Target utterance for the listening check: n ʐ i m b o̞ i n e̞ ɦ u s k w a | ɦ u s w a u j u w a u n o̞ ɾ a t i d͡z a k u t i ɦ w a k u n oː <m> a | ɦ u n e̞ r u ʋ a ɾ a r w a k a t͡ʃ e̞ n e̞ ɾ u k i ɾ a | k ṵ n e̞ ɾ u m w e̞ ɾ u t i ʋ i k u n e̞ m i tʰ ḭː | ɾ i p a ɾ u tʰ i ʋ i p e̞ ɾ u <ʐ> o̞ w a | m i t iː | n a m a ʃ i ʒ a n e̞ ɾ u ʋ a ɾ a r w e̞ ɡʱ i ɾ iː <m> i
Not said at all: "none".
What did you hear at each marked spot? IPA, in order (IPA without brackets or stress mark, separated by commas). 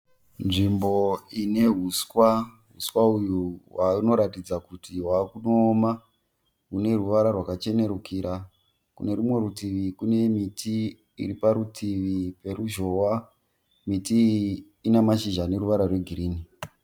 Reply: m, ʒ, n